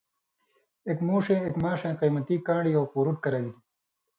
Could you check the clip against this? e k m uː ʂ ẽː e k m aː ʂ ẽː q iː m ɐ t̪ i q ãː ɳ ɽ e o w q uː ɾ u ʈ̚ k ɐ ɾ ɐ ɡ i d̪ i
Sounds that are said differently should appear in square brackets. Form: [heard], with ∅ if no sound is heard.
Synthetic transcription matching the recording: e k m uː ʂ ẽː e k m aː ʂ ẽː q iː m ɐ t̪ i [k] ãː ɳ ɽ [i] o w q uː ɾ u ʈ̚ k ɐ ɾ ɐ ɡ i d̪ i